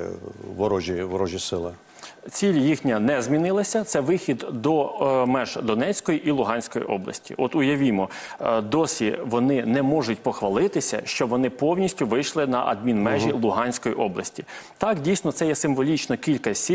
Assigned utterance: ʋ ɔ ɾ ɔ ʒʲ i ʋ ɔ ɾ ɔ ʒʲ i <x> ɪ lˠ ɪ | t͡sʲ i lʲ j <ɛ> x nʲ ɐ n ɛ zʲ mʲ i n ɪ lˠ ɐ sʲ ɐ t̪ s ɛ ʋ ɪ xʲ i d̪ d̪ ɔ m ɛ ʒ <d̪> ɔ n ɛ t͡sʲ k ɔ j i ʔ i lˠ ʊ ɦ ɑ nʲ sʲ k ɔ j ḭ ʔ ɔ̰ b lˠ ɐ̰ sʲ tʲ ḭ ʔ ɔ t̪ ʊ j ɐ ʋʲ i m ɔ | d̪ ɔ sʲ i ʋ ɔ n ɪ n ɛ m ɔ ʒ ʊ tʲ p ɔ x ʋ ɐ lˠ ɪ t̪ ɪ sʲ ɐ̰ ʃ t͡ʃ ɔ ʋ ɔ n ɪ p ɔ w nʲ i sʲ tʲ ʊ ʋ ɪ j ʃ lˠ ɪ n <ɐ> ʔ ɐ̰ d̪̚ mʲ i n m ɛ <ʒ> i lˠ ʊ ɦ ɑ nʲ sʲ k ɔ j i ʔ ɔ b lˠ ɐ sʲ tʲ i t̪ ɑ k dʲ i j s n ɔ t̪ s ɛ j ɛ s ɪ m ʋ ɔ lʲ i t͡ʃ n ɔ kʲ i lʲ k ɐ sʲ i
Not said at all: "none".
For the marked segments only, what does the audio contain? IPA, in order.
s, i, d̪, ɐ, ʒ

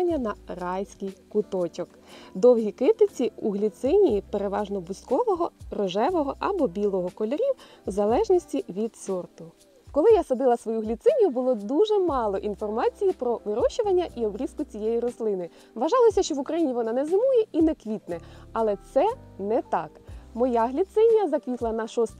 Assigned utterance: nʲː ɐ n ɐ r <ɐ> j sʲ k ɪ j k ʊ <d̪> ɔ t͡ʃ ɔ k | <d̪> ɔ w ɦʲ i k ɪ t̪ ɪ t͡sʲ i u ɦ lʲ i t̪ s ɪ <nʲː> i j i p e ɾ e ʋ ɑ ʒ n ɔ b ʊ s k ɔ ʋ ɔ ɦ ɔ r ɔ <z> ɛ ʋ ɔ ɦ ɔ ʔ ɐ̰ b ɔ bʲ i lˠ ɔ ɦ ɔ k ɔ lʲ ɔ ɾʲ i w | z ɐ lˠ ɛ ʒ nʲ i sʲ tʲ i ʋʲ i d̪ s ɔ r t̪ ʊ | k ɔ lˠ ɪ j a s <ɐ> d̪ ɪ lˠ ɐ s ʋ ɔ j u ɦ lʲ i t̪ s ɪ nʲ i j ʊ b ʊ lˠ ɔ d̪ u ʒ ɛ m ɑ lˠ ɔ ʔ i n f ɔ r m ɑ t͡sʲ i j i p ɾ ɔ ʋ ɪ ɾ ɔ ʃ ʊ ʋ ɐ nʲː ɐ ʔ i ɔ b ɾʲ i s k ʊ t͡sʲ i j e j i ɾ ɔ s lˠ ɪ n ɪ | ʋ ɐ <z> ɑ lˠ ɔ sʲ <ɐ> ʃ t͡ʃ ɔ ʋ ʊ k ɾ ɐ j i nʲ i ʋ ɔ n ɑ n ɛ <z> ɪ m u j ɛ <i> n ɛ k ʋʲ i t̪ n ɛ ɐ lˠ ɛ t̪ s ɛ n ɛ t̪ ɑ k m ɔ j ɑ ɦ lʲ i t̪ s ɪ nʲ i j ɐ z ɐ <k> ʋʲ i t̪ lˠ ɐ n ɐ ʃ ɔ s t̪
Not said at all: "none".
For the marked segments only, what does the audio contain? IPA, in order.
ɑ, t̪, d̪, nʲ, ʒ, ɐ, ʒ, ɐ, z, i, k

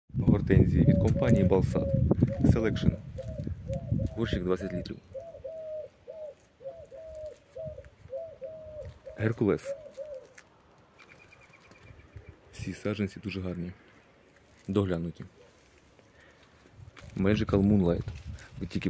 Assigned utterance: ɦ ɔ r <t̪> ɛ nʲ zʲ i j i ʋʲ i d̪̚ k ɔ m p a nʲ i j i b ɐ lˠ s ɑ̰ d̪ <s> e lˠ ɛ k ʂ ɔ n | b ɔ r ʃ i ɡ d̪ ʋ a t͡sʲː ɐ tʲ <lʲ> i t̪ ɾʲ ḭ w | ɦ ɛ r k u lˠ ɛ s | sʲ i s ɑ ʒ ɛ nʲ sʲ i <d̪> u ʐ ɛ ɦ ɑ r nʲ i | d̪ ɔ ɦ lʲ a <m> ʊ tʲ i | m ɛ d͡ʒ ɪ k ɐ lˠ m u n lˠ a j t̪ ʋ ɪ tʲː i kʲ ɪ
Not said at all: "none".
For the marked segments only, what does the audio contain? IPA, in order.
t̪, s, lʲ, d̪, n

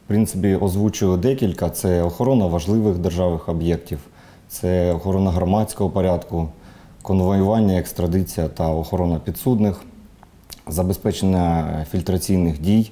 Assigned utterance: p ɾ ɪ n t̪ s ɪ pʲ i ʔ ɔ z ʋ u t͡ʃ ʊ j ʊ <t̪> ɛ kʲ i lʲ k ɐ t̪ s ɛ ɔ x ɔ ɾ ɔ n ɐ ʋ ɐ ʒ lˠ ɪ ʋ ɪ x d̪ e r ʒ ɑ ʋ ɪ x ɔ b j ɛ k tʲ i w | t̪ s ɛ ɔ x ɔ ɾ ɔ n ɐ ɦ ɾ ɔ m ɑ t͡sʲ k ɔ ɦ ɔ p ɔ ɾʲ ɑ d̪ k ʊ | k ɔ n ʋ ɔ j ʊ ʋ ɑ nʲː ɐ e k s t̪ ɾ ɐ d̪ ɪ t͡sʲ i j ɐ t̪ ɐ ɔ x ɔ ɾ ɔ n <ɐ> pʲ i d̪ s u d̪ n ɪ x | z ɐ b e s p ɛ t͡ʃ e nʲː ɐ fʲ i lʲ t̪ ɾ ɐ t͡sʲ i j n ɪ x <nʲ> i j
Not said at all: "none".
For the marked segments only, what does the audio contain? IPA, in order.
d̪, ɐ, dʲ

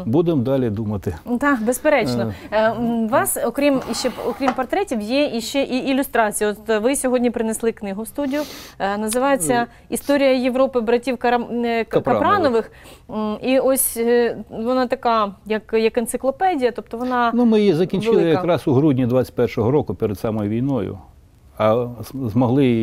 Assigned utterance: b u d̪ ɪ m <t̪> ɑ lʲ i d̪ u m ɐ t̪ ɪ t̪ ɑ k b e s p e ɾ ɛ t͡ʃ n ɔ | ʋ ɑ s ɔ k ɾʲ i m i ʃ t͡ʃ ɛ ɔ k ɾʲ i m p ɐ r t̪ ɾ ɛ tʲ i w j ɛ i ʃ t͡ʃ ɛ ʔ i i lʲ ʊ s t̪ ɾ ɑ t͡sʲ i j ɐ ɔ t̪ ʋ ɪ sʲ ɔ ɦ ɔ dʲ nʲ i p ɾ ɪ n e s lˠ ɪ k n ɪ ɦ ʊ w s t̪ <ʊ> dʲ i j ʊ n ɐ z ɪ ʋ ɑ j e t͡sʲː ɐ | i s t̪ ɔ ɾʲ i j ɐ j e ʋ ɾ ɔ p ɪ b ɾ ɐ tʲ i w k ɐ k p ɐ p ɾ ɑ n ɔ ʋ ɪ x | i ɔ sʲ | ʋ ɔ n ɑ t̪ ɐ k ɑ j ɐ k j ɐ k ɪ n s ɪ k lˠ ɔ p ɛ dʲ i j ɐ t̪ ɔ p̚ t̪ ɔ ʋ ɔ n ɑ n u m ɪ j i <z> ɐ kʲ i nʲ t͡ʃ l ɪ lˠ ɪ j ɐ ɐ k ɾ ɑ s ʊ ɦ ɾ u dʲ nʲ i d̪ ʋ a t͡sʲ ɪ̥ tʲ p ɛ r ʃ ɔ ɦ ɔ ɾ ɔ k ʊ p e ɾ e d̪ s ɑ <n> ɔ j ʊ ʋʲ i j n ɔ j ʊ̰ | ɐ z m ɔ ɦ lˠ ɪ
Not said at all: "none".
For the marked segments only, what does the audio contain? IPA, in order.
d̪, u, z, m

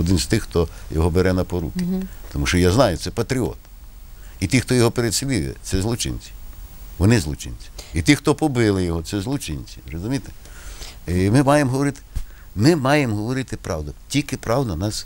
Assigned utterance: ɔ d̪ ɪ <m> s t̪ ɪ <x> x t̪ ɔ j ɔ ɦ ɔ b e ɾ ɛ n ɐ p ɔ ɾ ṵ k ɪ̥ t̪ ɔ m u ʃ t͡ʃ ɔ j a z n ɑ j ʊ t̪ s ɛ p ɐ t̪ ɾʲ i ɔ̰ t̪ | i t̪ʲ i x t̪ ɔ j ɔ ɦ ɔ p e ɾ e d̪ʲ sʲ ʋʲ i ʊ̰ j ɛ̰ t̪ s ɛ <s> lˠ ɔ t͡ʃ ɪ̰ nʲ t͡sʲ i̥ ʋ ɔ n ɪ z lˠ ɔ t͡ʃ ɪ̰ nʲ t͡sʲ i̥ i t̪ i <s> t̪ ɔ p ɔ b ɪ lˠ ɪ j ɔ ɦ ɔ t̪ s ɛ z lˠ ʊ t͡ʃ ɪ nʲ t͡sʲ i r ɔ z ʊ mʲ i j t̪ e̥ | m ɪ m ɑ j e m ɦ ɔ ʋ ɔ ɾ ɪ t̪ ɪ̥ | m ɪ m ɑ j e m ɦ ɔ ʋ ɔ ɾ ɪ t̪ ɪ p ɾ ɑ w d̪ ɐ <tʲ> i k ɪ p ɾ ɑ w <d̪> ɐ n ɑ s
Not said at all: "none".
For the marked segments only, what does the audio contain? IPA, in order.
n, x, z, x, tʲ, d̪

